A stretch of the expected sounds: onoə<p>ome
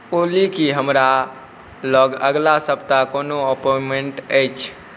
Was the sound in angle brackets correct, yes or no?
yes